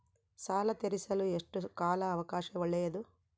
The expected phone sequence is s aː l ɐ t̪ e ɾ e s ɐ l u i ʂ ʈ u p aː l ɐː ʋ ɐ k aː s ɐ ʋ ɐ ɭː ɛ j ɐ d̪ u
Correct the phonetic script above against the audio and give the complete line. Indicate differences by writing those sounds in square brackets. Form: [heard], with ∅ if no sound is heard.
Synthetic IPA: s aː l ɐ t̪ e ɾ [i] s ɐ l u [e] ʂ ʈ u [k] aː l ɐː ʋ ɐ k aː [ʃ] ɐ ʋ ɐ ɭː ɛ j ɐ d̪ u